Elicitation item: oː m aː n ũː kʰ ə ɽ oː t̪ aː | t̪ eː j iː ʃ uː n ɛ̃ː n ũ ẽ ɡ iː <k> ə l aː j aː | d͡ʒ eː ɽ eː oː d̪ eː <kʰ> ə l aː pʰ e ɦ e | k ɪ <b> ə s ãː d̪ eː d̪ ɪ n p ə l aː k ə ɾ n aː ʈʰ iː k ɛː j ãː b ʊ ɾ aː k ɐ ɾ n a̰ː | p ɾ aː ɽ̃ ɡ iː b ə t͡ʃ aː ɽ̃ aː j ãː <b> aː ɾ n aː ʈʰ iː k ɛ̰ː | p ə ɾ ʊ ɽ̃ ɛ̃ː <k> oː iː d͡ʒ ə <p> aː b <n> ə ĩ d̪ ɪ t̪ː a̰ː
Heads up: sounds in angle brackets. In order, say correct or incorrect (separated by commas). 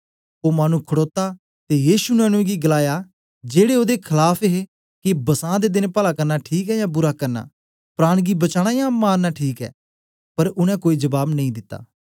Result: incorrect, correct, correct, incorrect, correct, incorrect, correct